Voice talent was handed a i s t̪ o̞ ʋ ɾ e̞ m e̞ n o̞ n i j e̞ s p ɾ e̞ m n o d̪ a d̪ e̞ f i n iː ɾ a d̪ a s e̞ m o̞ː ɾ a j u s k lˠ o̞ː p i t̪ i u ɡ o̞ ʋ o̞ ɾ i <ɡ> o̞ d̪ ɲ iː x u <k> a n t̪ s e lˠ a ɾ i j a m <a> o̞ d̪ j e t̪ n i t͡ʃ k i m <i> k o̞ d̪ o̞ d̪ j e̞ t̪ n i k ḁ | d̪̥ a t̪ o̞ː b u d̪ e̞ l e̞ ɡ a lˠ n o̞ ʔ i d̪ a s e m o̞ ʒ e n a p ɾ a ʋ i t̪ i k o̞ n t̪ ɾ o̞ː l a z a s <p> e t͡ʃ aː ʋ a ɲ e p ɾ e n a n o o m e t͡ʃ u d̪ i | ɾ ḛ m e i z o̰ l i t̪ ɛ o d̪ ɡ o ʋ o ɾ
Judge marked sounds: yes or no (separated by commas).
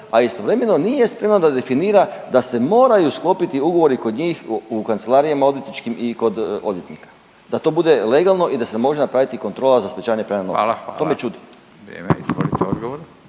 no, yes, yes, yes, yes